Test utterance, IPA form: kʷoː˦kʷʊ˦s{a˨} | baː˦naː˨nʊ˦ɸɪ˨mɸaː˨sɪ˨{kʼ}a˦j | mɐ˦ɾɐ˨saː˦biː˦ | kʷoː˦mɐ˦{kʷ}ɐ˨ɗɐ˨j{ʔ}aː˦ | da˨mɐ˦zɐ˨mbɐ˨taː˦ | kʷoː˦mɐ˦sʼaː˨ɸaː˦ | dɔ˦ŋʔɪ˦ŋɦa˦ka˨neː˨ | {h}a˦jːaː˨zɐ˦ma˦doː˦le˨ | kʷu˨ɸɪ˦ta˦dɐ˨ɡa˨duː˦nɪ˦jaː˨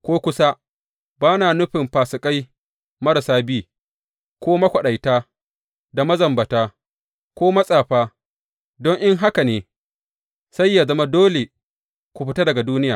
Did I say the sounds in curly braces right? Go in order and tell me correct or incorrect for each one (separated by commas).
incorrect, correct, correct, incorrect, incorrect